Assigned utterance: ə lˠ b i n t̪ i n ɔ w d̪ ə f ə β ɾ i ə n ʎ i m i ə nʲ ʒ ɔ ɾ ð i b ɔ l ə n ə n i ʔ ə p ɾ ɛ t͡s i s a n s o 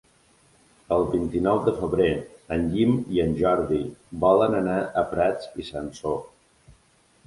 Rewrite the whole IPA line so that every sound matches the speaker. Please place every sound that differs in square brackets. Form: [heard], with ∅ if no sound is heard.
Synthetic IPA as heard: ə lˠ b i n t̪ i n ɔ w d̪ ə f ə β ɾ [e] ə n ʎ i m i ə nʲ ʒ ɔ ɾ ð i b ɔ l ə n ə n [a] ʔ ə p ɾ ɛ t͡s i s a n s o